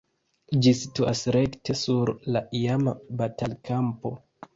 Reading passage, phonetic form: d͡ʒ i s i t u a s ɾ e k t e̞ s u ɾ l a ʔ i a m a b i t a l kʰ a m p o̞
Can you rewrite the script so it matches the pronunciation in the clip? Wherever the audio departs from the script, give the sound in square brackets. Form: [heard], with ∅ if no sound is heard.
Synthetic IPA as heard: d͡ʒ i s i t u a s ɾ e k t e̞ s u ɾ l a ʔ i a m a b [a] t a l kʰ a m p o̞